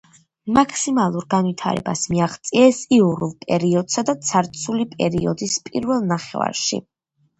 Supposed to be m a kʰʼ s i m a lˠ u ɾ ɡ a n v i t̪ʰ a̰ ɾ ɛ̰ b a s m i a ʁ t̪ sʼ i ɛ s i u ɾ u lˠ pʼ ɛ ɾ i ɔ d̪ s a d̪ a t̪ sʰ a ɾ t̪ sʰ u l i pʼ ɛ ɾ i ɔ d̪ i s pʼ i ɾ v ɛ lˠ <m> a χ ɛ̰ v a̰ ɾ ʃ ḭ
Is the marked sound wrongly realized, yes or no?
yes